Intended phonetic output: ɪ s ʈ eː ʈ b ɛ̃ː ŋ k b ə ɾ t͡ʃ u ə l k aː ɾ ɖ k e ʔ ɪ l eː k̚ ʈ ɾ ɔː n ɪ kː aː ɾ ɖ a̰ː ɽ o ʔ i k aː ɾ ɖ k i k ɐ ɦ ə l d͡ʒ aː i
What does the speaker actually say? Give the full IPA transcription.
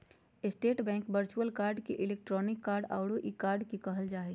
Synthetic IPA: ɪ s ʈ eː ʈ b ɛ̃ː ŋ k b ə ɾ t͡ʃ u ə l k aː ɾ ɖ k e ʔ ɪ l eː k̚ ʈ ɾ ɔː n ɪ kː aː ɾ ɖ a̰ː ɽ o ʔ i k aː ɾ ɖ k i k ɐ ɦ ə l d͡ʒ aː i